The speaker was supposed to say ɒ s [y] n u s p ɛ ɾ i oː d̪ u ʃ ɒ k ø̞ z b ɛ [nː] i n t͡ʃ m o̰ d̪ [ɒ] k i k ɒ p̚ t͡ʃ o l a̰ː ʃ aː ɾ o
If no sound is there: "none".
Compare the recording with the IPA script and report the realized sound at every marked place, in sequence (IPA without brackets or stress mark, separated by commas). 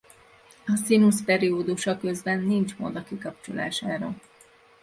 i, nː, ɒ